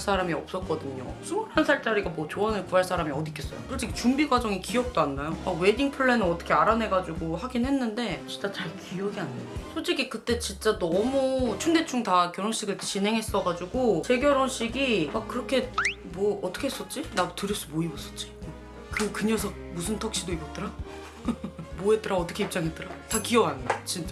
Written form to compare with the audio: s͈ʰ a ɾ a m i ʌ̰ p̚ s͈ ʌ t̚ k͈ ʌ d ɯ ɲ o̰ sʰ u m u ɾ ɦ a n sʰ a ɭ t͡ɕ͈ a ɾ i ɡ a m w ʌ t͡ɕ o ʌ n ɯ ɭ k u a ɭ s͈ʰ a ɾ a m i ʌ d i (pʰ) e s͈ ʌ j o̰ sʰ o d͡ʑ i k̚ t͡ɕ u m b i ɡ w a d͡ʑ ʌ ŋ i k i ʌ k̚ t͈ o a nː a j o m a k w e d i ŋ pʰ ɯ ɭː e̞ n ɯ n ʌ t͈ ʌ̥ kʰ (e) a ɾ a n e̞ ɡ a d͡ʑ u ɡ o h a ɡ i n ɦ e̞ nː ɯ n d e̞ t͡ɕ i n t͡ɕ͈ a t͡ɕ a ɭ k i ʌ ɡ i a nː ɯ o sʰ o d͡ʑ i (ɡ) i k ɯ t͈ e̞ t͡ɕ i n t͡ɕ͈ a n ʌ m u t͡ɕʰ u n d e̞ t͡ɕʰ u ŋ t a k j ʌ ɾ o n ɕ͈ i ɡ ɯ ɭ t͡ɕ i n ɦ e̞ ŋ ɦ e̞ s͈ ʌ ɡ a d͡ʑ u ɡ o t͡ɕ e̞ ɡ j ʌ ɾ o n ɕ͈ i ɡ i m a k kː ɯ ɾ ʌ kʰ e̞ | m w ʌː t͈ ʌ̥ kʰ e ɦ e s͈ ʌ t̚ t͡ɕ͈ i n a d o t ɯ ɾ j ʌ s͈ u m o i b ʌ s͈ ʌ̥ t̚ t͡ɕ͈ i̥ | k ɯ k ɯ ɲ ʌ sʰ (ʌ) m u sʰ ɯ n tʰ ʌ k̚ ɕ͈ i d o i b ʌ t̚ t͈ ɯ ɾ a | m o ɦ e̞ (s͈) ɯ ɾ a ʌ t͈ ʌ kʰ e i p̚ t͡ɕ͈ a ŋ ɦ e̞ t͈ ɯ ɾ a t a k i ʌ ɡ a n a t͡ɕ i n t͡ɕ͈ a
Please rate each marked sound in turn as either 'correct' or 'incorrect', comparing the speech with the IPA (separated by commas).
incorrect, correct, correct, correct, incorrect